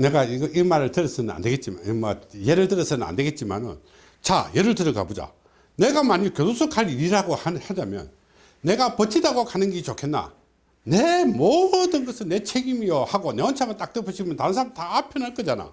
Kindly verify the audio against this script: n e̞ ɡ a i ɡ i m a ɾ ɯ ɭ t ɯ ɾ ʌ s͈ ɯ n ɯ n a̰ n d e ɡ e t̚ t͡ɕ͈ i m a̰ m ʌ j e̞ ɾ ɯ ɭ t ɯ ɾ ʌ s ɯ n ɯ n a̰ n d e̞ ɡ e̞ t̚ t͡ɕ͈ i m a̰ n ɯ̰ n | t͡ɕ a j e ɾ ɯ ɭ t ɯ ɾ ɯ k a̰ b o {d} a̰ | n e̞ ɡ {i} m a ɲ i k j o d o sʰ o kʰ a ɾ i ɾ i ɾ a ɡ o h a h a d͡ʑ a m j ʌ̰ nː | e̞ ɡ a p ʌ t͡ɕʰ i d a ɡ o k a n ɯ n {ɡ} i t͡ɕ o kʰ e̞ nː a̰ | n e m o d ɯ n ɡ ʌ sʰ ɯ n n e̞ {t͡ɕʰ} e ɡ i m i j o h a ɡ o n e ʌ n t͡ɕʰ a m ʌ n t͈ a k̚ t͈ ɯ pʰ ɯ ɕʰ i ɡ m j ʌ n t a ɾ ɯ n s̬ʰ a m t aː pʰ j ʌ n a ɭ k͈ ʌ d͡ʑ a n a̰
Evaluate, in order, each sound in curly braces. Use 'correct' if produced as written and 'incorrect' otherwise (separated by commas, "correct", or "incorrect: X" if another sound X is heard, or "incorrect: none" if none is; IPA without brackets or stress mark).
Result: incorrect: d͡ʑ, incorrect: a, correct, correct